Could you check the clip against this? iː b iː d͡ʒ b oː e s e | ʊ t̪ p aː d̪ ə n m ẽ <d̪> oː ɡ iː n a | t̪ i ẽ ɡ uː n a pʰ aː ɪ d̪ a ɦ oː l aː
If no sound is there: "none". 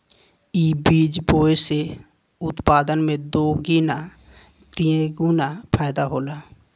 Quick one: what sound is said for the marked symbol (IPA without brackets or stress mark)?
d̪